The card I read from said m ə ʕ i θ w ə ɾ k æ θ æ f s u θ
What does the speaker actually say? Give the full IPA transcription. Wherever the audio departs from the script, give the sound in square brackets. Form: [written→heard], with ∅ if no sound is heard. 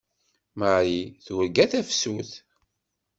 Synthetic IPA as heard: m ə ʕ i θ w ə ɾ [k→ɡ] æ θ æ f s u θ